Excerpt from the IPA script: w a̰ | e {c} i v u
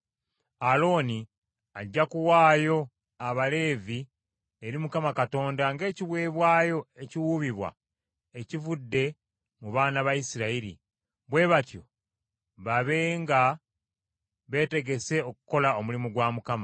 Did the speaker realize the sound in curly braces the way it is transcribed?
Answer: yes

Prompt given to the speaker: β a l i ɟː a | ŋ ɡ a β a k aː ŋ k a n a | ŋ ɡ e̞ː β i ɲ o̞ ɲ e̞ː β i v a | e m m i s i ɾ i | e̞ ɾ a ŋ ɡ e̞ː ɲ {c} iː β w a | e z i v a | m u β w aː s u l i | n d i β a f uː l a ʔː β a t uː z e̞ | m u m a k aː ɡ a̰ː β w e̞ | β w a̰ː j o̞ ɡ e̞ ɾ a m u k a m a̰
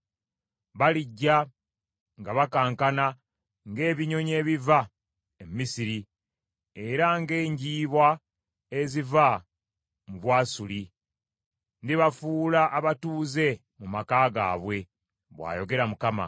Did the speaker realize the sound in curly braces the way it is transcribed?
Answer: no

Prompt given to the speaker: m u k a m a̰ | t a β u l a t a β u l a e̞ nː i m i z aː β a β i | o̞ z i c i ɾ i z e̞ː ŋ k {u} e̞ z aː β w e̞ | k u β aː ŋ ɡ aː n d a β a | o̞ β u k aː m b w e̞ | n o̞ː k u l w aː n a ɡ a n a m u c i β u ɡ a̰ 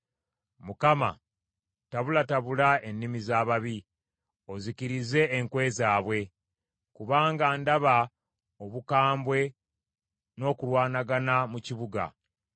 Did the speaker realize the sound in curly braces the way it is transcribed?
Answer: no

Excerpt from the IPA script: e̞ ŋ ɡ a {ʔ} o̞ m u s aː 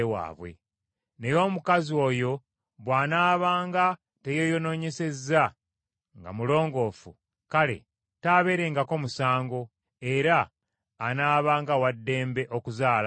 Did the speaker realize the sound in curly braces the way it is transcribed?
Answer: no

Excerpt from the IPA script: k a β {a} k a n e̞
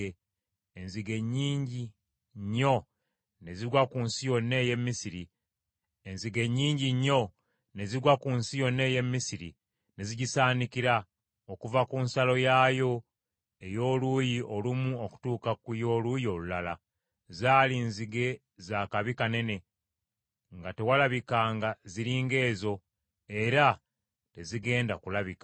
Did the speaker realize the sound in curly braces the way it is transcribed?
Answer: no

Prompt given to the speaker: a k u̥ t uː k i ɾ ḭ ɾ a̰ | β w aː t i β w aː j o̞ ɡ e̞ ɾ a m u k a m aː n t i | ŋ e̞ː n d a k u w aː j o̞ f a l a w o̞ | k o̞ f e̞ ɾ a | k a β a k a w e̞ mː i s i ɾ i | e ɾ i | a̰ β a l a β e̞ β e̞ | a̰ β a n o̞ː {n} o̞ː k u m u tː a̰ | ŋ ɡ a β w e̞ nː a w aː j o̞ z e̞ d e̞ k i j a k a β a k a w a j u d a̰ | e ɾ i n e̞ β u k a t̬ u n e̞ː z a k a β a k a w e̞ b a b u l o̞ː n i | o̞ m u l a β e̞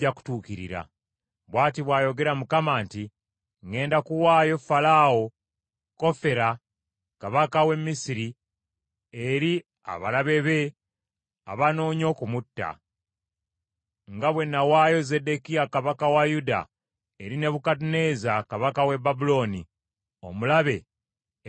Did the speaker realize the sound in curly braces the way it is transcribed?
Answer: no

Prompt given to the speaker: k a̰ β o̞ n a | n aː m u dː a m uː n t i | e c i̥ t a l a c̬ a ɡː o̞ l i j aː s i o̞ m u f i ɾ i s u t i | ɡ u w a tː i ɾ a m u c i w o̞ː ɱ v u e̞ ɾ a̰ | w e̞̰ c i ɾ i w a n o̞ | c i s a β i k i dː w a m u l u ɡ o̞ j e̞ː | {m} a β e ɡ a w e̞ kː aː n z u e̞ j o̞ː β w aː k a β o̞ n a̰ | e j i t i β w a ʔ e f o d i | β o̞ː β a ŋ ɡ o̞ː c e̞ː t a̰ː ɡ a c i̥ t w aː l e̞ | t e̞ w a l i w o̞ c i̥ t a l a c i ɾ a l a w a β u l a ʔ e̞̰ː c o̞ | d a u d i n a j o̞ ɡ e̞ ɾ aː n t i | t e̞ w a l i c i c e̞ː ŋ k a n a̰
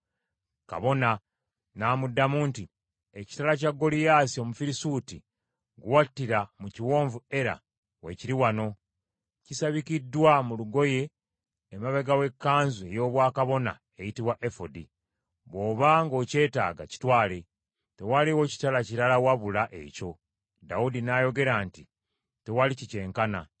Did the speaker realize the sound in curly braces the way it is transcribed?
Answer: yes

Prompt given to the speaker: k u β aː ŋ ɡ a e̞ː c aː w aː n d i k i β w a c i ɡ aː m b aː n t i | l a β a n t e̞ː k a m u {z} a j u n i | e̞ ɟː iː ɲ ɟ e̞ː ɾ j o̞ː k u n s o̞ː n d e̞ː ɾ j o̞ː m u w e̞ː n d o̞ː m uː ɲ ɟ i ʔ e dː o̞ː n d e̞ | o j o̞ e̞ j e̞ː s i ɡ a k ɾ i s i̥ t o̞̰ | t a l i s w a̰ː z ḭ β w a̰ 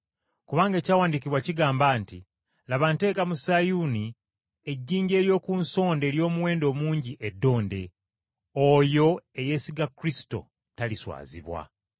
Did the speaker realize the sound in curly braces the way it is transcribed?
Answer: no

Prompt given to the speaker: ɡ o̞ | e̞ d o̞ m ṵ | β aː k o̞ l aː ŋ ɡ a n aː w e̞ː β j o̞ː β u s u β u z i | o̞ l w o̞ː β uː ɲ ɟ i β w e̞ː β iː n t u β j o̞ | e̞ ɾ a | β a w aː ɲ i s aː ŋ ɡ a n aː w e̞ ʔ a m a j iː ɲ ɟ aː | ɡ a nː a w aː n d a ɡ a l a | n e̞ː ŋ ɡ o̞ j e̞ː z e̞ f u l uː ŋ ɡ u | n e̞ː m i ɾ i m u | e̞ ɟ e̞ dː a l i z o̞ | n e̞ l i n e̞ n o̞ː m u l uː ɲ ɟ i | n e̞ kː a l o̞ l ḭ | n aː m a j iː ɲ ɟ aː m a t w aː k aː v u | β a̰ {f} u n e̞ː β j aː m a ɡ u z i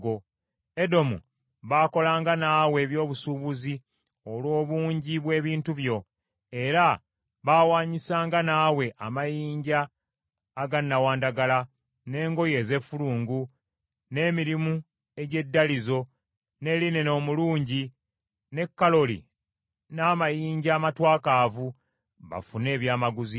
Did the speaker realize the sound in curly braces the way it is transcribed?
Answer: yes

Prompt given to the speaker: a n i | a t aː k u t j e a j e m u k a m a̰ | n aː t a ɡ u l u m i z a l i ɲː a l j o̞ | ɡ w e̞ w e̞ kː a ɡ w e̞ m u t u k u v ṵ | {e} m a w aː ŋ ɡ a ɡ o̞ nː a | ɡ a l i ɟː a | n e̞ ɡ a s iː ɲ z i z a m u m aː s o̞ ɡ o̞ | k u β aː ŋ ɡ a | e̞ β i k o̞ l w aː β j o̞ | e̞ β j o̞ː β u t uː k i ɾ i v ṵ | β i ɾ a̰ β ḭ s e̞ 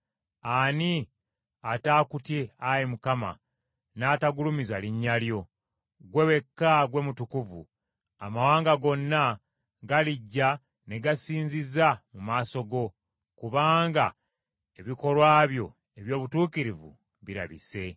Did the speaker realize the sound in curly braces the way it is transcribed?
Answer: no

